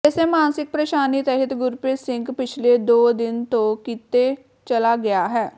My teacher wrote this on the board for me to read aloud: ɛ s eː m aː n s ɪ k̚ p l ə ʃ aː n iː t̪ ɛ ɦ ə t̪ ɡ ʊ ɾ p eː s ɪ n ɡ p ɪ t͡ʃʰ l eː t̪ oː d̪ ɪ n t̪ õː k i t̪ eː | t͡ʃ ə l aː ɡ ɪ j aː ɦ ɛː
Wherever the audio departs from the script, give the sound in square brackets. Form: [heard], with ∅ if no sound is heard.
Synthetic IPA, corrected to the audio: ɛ s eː m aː n s ɪ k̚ p [ɾ] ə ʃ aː n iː t̪ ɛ ɦ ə t̪ ɡ ʊ ɾ p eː s ɪ [ŋ] ɡ p ɪ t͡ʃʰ l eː [d̪] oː d̪ ɪ n t̪ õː k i t̪ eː | t͡ʃ ə l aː ɡ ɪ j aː ɦ ɛː